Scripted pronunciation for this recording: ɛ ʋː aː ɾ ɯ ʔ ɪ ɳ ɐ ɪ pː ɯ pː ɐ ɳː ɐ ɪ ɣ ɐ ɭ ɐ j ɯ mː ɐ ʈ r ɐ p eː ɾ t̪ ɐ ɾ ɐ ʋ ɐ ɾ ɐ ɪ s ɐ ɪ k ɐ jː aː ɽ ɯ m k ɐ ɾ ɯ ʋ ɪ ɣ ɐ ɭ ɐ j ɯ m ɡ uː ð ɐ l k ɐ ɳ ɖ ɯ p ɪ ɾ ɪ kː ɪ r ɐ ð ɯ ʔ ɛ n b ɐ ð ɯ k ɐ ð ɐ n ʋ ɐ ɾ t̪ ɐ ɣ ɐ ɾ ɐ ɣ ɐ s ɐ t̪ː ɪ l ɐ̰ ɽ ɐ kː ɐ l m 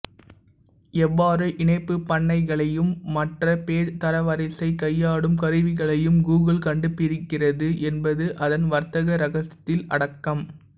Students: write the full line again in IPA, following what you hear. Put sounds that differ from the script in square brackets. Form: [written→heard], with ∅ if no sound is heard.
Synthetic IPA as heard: ɛ ʋː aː ɾ ɯ ʔ ɪ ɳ ɐ ɪ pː ɯ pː ɐ ɳː ɐ ɪ ɣ ɐ ɭ ɐ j ɯ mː ɐ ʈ r ɐ p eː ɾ t̪ ɐ ɾ ɐ ʋ ɐ ɾ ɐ ɪ s ɐ ɪ k ɐ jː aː ɽ ɯ m k ɐ ɾ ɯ ʋ ɪ ɣ ɐ ɭ ɐ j ɯ m ɡ uː [ð→ɣ] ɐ l k ɐ ɳ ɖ ɯ p ɪ ɾ ɪ kː ɪ r ɐ ð ɯ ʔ ɛ n b ɐ ð ɯ [k→ʔ] ɐ ð ɐ n ʋ ɐ ɾ t̪ ɐ ɣ ɐ ɾ ɐ ɣ ɐ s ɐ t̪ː ɪ l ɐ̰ ɽ ɐ kː ɐ [l→∅] m